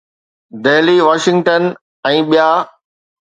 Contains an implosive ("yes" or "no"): yes